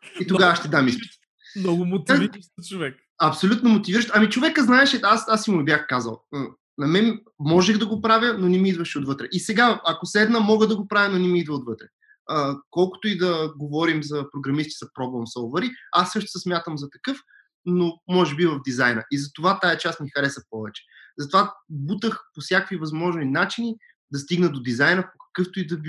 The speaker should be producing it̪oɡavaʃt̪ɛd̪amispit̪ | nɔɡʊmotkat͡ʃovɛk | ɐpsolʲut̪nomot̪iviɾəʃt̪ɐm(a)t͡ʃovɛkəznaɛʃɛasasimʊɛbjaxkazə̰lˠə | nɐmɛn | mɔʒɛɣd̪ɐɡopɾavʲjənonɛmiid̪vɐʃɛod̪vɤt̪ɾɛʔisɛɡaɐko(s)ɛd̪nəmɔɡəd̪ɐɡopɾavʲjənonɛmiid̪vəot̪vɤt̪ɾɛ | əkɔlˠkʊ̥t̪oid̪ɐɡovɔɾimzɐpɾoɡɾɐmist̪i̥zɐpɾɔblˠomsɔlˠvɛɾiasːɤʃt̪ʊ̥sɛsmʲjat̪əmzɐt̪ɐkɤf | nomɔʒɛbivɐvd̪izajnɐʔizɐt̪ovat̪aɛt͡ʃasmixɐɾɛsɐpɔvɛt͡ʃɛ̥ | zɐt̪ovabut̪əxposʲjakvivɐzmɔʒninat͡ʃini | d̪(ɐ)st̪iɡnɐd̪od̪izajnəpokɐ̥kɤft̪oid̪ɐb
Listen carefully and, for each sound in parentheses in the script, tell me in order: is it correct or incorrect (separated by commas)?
incorrect, correct, correct